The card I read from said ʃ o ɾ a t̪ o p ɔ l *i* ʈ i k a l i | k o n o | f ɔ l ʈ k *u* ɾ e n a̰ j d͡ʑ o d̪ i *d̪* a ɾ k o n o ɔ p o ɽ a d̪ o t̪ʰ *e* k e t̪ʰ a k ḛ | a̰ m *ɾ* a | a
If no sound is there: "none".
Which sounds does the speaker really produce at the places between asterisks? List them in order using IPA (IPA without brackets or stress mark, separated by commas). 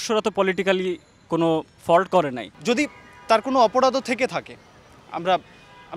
i, ɔ, t̪, e, ɾ